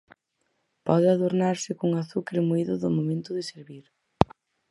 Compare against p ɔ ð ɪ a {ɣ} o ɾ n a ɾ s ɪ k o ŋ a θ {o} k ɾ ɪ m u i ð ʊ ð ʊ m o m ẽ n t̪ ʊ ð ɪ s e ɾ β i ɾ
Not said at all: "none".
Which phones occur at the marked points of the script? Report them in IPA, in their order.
ð, u

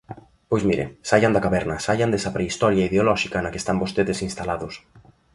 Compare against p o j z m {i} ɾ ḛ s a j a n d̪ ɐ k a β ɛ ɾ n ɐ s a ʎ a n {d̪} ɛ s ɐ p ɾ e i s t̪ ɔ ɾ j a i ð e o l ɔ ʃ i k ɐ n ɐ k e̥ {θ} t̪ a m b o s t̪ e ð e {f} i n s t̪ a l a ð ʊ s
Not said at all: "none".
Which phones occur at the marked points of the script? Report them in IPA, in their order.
i, d̪, s, s

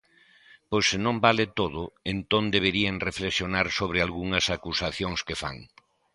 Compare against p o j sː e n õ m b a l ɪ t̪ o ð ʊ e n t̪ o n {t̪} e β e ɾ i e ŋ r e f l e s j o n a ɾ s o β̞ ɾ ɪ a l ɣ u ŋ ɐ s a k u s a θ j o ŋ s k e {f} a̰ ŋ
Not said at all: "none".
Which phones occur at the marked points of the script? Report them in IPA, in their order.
d̪, f

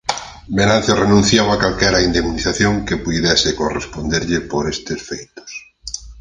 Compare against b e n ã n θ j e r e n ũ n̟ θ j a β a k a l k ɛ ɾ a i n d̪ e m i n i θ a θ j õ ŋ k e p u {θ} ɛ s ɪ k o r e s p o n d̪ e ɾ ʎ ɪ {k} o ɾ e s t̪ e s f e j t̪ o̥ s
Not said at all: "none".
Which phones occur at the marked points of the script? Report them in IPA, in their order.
ð, p

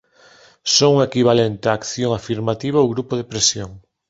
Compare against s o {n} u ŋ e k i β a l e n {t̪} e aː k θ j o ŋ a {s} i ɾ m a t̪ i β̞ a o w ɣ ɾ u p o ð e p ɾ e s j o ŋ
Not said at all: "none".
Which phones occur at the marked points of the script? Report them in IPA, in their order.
ŋ, t̪, f

